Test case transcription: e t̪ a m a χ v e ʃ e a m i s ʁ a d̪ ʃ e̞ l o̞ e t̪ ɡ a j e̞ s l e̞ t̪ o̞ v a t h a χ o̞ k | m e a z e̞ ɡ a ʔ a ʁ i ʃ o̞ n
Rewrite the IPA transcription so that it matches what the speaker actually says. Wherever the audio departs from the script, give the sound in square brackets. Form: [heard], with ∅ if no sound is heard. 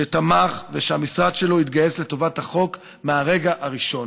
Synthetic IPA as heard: e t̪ a m a χ v e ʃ e a m i s ʁ a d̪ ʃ e̞ l o̞ [i] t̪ ɡ a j e̞ s l e̞ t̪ o̞ v a t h a χ o̞ k | m e a [ʁ] e̞ ɡ a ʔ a ʁ i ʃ o̞ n